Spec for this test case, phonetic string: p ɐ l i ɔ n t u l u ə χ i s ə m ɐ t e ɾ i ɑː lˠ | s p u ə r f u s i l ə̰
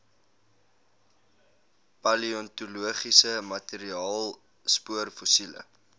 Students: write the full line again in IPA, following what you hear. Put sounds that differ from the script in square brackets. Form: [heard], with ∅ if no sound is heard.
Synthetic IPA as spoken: p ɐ l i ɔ n t u l u ə χ i s ə m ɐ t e ɾ i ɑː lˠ | s p u ə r f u s i l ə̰